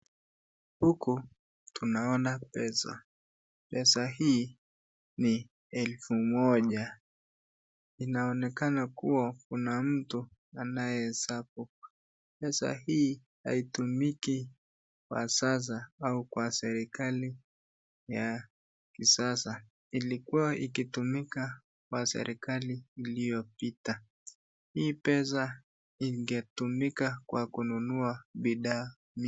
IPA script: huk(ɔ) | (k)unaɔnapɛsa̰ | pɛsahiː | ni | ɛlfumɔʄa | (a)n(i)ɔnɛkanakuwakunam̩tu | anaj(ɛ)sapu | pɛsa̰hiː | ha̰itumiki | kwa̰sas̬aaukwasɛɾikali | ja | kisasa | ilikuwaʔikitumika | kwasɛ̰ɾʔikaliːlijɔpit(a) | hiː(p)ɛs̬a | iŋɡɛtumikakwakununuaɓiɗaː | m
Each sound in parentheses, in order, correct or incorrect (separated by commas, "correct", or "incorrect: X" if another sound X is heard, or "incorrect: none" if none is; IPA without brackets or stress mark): incorrect: u, incorrect: t, incorrect: i, incorrect: a, correct, correct, correct